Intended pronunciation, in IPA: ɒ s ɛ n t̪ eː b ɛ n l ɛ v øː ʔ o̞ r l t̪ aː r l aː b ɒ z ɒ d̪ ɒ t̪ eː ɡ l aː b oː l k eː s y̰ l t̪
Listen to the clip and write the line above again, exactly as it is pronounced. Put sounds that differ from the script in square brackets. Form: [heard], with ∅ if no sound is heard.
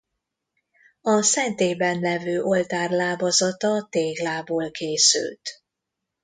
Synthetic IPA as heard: ɒ s ɛ n t̪ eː b ɛ n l ɛ v øː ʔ o̞ [∅] l t̪ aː r l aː b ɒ z ɒ [t̪] ɒ t̪ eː ɡ l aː b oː l k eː s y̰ l t̪